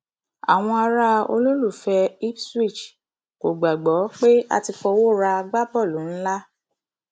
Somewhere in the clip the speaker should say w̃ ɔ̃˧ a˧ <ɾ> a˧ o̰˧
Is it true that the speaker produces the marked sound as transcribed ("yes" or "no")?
yes